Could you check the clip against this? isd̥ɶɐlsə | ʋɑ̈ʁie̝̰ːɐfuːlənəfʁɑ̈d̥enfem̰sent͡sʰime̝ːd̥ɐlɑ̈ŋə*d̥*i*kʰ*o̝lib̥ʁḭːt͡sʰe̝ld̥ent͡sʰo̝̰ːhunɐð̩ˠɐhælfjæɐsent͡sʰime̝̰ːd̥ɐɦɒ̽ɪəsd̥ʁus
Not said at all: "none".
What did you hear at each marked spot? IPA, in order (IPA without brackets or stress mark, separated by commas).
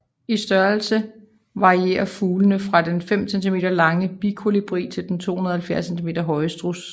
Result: b̥, kʰ